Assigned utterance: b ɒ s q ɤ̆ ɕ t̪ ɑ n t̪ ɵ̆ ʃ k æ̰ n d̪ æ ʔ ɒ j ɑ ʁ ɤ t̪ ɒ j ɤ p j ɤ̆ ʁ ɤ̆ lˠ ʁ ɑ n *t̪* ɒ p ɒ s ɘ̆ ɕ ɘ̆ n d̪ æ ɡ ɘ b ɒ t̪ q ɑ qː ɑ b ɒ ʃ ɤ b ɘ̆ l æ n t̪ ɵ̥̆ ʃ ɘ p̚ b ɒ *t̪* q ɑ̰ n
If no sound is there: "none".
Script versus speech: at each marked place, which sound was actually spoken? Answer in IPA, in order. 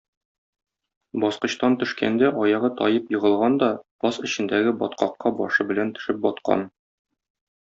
d̪, t̪

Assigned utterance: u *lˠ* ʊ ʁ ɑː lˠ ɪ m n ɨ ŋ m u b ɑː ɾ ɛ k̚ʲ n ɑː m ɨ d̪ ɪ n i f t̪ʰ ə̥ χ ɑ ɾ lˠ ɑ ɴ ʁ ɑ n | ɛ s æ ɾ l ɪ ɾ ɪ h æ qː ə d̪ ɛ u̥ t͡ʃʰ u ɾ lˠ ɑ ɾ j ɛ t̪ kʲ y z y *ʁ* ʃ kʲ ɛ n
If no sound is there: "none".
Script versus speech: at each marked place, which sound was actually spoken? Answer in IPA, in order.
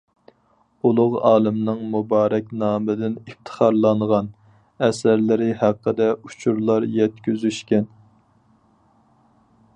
lˠ, none

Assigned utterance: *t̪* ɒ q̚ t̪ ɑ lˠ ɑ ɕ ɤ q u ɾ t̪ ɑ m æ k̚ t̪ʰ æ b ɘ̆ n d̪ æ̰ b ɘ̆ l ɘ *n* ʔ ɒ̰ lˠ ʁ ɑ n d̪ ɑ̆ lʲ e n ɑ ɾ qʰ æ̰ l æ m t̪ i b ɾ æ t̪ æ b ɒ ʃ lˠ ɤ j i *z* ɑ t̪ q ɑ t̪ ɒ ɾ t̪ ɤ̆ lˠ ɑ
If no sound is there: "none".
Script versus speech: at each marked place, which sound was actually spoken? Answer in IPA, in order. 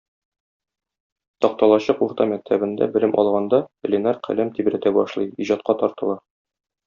t̪, m, ʑ

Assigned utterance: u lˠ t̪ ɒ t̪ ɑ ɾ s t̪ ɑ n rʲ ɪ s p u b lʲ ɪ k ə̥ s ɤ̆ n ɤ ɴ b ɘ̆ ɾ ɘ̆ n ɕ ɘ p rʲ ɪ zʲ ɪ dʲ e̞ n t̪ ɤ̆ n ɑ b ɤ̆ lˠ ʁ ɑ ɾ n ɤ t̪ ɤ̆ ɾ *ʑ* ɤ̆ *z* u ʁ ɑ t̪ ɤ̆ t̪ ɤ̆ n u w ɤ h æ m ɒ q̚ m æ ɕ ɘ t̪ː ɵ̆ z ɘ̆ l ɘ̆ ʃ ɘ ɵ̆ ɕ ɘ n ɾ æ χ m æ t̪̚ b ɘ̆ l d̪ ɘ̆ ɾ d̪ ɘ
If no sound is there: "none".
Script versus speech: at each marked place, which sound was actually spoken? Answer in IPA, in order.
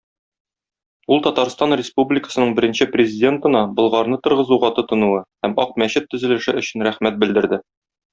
ʁ, z

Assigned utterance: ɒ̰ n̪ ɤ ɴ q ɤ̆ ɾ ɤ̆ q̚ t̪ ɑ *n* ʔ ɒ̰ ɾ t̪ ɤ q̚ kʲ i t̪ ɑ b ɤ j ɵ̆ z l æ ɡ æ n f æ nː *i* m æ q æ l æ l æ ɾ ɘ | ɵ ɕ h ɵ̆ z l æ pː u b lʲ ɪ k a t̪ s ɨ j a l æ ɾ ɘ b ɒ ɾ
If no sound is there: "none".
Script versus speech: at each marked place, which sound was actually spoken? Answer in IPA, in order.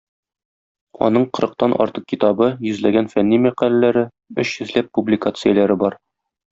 n, i

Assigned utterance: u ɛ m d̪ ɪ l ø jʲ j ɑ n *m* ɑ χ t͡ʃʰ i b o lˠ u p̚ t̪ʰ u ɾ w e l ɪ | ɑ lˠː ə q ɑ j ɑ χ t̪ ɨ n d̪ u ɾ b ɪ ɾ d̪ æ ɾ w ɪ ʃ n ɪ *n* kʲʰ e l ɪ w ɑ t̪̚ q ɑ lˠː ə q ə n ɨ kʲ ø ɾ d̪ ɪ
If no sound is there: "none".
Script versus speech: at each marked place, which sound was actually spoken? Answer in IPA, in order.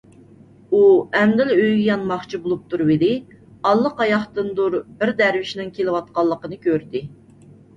m, ŋ

